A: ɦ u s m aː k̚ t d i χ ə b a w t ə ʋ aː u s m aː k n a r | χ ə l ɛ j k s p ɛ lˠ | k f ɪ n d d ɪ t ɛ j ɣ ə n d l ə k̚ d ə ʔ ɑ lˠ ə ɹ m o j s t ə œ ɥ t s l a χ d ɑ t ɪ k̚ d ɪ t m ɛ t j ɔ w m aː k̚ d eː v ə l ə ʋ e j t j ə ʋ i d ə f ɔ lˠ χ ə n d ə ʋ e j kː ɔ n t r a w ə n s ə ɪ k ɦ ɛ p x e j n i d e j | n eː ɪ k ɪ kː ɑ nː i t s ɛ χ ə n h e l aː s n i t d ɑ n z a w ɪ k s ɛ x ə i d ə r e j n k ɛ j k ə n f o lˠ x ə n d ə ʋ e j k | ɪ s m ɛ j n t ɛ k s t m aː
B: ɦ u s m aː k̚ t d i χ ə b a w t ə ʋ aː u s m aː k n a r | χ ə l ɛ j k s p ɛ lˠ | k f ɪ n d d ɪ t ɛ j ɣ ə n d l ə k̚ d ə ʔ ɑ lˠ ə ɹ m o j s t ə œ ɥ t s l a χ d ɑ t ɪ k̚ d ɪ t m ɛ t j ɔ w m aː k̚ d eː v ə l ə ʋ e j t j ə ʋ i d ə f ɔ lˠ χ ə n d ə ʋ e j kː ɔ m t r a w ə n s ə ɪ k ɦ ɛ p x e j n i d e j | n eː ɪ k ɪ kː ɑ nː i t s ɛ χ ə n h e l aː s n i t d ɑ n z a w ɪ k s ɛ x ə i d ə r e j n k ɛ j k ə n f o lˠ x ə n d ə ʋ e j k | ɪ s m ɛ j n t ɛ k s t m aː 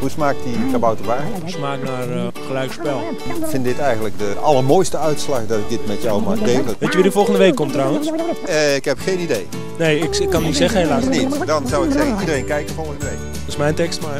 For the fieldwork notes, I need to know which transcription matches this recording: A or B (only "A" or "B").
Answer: B